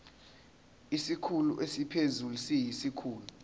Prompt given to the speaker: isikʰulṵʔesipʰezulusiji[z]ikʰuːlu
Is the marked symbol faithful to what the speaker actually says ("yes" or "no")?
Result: no